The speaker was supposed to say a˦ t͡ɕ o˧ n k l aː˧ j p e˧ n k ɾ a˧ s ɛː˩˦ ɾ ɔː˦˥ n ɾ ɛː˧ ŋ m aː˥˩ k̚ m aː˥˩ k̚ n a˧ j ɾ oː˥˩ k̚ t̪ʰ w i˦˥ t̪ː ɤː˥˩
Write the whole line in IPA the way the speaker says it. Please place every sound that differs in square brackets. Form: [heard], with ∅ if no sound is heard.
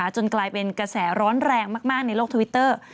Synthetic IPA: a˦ t͡ɕ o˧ n k l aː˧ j p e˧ n k ɾ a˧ s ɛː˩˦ ɾ ɔː˦˥ n ɾ ɛː˧ ŋ m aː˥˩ k̚ m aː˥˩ k̚ n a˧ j [l] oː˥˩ k̚ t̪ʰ w i˦˥ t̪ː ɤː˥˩